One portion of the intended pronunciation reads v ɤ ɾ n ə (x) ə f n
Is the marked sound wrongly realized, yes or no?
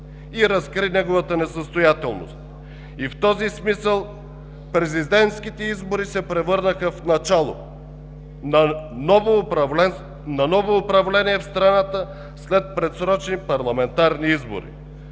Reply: no